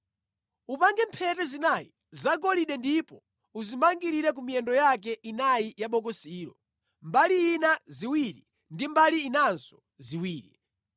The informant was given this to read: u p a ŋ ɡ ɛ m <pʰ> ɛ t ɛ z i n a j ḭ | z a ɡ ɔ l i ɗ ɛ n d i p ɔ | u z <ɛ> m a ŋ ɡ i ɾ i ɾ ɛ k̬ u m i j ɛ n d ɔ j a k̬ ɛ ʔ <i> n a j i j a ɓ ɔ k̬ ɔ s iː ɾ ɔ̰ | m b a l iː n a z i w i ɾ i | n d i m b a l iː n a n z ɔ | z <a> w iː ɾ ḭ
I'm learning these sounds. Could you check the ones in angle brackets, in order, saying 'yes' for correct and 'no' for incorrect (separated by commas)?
yes, no, yes, no